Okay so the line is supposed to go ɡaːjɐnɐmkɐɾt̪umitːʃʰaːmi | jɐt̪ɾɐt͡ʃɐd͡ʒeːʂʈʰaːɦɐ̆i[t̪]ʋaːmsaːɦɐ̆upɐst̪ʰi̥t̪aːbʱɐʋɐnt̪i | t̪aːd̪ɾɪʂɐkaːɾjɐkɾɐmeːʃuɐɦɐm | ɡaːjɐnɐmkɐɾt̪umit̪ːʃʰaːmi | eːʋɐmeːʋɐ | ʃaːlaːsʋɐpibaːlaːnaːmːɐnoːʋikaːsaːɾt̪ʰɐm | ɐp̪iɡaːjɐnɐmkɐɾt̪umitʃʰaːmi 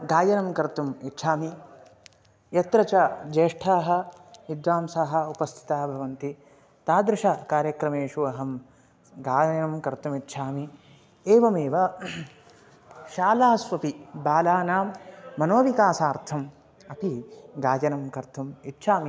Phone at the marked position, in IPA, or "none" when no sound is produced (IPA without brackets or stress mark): d̪